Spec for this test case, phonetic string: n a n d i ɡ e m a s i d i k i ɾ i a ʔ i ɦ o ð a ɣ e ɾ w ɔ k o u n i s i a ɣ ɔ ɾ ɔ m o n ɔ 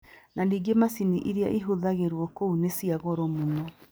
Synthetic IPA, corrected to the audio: n a n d i ɡ e m a s i n i ʔ i ɾ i a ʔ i ɦ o ð a ɣ e ɾ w ɔ k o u n e s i a ɣ ɔ ɾ ɔ m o n ɔ

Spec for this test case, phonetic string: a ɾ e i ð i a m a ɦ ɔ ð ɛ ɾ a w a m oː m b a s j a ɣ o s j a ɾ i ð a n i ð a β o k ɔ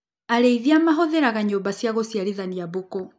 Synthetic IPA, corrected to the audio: a ɾ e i ð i a m a ɦ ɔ ð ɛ ɾ a ɣ a ɲ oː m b a s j a ɣ o s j a ɾ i ð a n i a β o k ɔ

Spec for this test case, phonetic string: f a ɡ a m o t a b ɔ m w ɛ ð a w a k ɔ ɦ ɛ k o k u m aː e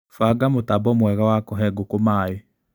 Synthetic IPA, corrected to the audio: f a ɡ a m o t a b ɔ m w ɛ ɣ a w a k ɔ ɦ ɛ ɡ o k o m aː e

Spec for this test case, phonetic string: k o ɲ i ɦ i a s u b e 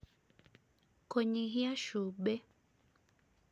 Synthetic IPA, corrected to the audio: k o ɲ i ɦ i a ʃ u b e

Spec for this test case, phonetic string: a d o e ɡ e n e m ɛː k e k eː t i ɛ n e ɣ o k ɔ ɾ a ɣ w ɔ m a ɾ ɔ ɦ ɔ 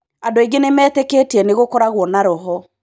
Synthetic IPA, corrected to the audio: a d o e ɡ e n e m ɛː t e k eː t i ɛ n e ɣ o k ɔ ɾ a ɣ w ɔ n a ɾ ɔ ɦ ɔ

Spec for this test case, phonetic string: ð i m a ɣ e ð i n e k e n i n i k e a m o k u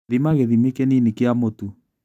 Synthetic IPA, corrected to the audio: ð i m a ɣ e ð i m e k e n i n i k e a m o t u

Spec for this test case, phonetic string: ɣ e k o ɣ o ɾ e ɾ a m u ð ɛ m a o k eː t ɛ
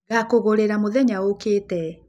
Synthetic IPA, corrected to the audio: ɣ a k o ɣ o ɾ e ɾ a m o ð ɛ ɲ a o k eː t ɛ

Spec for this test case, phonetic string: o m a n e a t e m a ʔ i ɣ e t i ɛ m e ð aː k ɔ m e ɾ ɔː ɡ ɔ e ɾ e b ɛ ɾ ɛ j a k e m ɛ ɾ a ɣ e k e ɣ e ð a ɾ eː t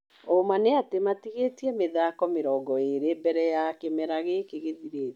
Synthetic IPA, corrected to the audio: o m a n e a t e m a t i ɣ e t i ɛ m e ð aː k ɔ m e ɾ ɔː ɡ ɔ e ɾ e b ɛ ɾ ɛ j a k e m ɛ ɾ a ɣ e k e ɣ e ð i ɾ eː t

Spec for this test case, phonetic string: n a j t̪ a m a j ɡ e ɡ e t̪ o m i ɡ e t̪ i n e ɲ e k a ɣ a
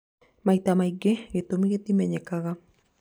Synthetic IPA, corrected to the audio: m a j t̪ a m a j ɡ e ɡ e t̪ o m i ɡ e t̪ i m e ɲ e k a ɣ a

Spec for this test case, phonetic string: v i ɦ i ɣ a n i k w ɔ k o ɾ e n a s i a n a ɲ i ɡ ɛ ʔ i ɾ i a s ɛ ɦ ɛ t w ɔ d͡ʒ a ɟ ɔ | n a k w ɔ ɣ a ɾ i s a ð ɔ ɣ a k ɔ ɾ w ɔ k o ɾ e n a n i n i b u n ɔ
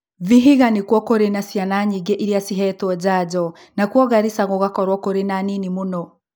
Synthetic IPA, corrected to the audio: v i ɦ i ɣ a n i k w ɔ k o ɾ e n a s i a n a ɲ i ɡ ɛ ʔ i ɾ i a s i ɦ ɛ t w ɔ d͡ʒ a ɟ ɔ | n a k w ɔ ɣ a ɾ i s a ɣ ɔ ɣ a k ɔ ɾ w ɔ k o ɾ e n a n i n i m u n ɔ

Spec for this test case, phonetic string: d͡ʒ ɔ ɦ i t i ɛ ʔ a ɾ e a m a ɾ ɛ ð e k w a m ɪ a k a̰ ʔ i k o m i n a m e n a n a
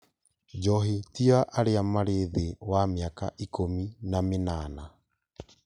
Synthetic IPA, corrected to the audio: d͡ʒ ɔ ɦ i t i a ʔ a ɾ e a m a ɾ e ð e w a m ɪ a k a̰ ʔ i k o m i n a m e n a n a

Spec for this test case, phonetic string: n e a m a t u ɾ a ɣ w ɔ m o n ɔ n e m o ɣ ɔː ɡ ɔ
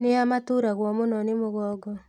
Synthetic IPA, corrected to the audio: n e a m a t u ɾ a ɣ w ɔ m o n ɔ n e m o ɣ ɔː ɡ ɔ

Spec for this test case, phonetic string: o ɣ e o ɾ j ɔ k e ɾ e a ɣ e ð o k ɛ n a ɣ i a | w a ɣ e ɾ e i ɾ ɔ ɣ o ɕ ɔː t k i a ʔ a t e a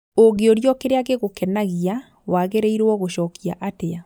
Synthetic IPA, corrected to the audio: o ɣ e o ɾ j ɔ k e ɾ e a ɣ e ɣ o k ɛ n a ɣ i a | w a ɣ e ɾ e i ɾ ɔ ɣ o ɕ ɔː k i a ʔ a t e a

